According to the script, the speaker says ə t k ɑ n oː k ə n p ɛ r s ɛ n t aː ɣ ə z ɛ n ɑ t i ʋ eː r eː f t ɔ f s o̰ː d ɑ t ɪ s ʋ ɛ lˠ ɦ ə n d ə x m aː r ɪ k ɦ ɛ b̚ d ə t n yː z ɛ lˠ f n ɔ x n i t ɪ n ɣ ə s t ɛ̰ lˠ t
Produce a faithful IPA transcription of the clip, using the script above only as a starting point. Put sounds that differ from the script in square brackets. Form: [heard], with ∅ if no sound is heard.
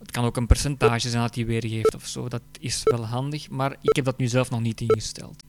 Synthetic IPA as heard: ə t k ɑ n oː k ə n p ɛ r s ɛ n t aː [ʒ] ə z ɛ n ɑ t i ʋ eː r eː f t ɔ f s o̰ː d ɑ t ɪ s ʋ ɛ lˠ ɦ [ɑ] n d ə x m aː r ɪ k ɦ ɛ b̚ d [ɑ] t n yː z ɛ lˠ f n ɔ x n i t ɪ n ɣ ə s t ɛ̰ lˠ t